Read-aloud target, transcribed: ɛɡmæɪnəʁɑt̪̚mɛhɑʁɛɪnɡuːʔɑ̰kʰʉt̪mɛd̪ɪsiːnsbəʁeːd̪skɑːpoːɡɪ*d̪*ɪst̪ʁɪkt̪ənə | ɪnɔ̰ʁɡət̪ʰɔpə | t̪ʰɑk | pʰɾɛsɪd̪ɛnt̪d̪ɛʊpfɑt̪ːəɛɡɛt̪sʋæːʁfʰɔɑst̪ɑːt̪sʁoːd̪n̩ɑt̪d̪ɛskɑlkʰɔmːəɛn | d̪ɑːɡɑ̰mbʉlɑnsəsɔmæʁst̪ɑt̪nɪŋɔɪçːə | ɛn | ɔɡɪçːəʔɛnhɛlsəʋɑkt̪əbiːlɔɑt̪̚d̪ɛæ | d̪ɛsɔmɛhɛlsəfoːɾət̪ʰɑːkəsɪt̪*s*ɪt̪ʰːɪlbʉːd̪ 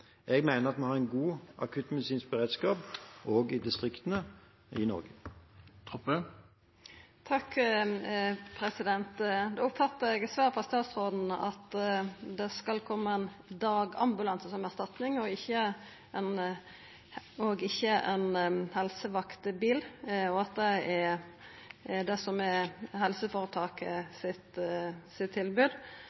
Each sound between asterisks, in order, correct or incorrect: correct, correct

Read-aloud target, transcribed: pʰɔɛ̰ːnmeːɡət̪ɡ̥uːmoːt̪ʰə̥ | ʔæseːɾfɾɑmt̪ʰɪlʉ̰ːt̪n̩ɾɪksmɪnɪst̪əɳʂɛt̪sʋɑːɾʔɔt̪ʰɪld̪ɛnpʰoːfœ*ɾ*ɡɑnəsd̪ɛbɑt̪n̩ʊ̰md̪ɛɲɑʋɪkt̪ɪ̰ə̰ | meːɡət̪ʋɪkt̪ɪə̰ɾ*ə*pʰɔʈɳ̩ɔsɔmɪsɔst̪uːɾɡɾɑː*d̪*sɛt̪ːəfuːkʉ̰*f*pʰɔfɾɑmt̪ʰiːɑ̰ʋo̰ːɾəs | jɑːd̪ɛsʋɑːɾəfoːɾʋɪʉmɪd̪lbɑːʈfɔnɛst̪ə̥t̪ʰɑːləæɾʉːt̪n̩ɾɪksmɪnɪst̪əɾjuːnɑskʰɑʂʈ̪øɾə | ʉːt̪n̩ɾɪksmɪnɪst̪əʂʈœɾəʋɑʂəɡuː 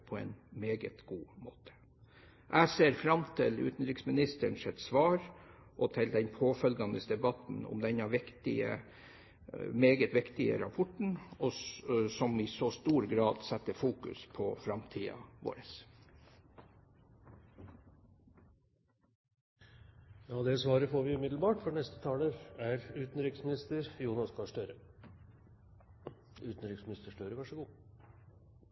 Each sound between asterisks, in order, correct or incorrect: incorrect: l, incorrect: ɑ, correct, incorrect: s

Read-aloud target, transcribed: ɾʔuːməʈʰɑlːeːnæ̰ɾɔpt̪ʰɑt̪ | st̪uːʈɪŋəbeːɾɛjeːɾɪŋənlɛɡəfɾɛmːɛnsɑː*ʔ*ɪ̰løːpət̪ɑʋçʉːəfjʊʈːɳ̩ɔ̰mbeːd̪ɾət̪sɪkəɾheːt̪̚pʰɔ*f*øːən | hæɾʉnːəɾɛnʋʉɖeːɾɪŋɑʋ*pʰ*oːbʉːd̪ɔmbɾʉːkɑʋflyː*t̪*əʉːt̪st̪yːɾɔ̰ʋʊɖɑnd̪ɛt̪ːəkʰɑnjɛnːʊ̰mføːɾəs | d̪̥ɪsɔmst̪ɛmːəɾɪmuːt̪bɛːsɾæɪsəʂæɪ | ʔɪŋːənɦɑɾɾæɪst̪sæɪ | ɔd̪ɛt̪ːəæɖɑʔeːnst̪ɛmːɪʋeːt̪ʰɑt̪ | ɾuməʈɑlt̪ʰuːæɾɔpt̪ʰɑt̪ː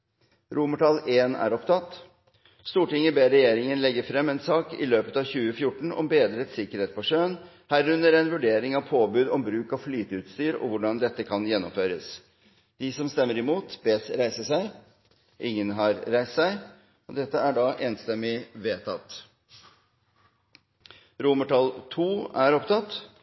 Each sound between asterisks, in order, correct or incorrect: incorrect: k, incorrect: ʂ, correct, correct

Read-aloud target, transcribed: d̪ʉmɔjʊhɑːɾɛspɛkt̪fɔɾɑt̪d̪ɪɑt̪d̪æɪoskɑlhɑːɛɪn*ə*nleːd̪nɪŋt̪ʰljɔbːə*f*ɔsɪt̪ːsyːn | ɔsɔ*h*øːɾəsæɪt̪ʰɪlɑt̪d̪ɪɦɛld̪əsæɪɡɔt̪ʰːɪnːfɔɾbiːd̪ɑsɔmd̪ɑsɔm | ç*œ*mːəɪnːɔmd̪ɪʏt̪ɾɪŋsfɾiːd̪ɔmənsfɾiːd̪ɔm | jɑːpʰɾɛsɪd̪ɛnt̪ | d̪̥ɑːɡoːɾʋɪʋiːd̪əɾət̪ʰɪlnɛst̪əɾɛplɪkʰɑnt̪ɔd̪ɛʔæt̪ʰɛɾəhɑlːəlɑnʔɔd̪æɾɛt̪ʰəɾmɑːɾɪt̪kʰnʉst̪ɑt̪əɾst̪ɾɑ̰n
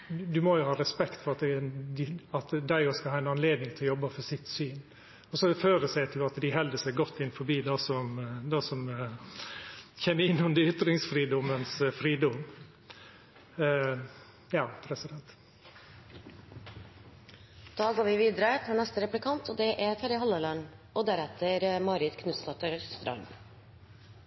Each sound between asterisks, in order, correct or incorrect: incorrect: ɑ, correct, incorrect: f, incorrect: ɛ

